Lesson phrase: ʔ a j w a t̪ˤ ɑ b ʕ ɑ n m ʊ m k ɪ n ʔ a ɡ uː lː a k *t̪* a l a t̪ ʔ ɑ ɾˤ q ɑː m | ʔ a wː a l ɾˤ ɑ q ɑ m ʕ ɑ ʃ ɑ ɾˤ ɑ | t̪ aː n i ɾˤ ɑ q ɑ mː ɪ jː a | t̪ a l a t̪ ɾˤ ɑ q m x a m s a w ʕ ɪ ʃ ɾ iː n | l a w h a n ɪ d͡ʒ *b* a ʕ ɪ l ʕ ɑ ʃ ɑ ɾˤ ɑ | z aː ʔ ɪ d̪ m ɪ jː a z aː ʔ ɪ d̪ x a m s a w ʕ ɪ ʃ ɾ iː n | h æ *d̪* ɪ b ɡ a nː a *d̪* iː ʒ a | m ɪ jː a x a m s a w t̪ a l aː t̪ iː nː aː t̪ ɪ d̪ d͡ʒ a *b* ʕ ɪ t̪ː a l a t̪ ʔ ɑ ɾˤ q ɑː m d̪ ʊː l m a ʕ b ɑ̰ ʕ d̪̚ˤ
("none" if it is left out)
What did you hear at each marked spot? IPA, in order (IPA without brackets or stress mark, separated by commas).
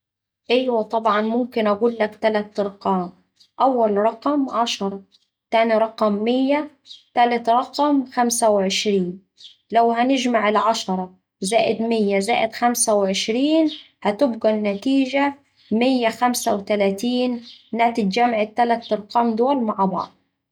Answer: t̪, m, t̪, t̪, m